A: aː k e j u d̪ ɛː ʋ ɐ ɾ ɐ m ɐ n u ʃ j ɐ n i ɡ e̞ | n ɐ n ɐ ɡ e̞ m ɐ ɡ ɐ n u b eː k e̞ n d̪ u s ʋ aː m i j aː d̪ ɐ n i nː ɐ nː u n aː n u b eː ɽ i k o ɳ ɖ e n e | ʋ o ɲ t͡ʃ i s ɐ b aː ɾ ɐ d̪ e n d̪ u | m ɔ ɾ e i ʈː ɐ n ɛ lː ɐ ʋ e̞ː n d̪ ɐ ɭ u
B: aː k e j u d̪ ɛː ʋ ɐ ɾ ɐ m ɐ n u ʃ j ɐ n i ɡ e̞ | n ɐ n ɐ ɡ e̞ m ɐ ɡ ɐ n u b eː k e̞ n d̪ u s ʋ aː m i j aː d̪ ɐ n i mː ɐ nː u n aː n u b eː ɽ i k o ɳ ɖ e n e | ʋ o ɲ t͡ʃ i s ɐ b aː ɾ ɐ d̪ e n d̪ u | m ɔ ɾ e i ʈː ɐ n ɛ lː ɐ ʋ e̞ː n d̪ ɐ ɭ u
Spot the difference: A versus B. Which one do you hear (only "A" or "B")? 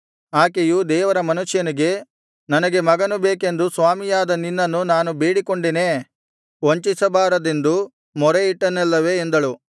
A